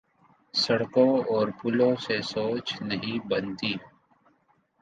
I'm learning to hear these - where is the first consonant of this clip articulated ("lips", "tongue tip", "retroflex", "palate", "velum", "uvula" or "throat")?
tongue tip